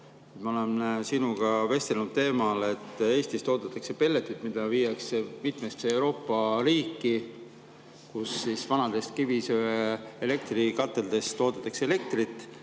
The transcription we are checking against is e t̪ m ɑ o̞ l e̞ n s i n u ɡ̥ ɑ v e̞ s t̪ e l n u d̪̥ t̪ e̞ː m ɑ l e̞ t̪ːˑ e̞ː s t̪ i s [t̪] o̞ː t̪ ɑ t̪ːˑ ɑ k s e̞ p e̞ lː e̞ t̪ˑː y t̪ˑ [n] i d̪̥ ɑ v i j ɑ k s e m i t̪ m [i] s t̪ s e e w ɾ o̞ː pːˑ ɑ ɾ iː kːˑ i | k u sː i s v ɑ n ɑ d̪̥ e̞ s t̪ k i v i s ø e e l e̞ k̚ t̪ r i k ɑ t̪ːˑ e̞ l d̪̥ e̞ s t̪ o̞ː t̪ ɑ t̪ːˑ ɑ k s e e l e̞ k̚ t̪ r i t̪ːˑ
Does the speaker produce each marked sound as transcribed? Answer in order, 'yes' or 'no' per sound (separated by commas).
yes, no, no